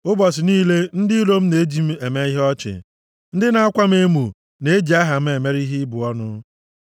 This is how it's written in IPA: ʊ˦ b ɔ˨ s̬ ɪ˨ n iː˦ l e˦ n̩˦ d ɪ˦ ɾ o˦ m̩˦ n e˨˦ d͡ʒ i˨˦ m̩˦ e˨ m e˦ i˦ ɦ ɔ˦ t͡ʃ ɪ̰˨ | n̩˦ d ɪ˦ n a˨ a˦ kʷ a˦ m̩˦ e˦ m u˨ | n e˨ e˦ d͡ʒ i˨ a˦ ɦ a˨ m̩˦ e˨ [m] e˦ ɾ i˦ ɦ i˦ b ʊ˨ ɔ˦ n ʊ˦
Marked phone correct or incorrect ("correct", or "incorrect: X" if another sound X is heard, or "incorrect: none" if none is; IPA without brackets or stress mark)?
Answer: correct